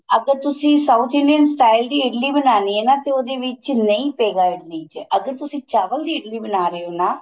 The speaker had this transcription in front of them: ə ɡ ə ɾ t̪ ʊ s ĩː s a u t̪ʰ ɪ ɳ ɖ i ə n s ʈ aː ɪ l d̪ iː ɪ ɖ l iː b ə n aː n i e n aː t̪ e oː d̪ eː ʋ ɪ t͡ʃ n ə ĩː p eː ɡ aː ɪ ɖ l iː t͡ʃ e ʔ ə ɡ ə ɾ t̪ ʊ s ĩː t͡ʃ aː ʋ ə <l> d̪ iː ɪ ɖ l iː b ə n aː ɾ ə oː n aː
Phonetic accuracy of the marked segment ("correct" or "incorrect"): correct